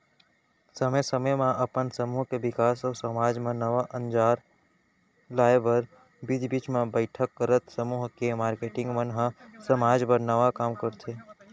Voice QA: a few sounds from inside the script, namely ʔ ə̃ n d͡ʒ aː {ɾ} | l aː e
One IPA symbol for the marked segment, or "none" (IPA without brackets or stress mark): ɾ